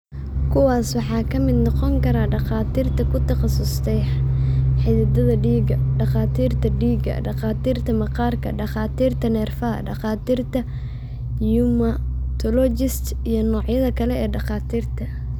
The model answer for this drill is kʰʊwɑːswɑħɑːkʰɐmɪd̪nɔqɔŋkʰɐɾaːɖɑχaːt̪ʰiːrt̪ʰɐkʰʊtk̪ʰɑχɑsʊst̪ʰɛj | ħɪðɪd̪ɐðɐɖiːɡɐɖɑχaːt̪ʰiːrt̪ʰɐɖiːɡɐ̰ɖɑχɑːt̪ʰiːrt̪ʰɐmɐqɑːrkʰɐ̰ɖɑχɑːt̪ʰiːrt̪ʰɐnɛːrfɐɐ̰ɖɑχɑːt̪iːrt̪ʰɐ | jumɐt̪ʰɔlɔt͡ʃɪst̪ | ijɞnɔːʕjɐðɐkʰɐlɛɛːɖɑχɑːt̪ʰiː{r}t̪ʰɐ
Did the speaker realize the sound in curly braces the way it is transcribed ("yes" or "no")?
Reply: yes